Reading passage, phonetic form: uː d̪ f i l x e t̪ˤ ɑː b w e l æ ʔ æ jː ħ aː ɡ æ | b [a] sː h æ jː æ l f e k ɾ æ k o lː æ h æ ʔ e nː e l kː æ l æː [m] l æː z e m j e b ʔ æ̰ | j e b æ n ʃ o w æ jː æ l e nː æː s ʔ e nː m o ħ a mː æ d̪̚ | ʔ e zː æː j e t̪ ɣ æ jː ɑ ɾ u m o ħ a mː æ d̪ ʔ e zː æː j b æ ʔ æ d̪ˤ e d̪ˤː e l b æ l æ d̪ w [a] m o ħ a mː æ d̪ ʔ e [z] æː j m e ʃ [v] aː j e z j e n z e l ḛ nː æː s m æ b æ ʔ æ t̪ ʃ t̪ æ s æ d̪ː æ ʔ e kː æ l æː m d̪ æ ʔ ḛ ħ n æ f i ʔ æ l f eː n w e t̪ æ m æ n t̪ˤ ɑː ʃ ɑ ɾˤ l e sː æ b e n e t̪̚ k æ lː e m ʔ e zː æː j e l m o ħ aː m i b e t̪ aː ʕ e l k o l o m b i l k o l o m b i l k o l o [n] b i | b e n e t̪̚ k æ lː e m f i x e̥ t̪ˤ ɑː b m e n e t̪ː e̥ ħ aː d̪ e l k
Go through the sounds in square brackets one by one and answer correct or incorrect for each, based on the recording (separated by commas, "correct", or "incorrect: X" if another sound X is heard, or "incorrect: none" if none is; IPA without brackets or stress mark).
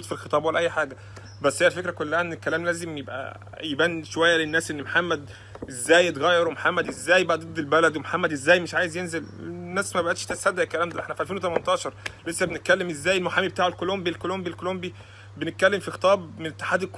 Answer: incorrect: æ, correct, incorrect: e, incorrect: zː, incorrect: ʕ, incorrect: m